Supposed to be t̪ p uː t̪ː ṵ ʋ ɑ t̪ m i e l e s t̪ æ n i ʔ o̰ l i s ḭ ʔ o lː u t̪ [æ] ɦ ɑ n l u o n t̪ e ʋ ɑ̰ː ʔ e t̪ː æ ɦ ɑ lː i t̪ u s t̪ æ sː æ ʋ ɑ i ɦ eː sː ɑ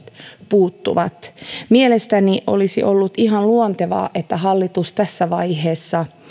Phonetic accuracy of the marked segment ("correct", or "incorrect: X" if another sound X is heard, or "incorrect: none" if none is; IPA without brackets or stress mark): incorrect: i